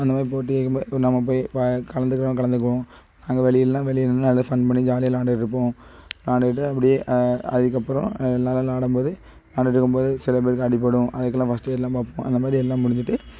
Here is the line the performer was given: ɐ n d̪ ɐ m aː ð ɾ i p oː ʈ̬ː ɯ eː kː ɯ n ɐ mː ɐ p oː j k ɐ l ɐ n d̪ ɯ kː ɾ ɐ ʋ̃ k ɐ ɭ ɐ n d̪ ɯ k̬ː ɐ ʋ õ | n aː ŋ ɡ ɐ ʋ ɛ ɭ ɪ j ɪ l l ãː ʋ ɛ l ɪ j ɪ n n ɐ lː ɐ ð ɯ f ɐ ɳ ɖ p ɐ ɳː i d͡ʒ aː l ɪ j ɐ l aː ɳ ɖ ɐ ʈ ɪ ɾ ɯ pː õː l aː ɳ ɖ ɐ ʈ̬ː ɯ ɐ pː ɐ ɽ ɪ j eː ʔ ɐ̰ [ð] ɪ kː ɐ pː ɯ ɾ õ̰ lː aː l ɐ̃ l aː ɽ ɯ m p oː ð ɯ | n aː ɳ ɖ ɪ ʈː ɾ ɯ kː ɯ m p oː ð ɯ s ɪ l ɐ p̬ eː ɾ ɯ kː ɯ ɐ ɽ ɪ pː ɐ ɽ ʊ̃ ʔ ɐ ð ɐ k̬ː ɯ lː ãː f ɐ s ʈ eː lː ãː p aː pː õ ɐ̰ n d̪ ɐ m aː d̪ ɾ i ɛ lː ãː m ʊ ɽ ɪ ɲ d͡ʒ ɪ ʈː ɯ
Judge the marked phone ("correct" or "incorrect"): correct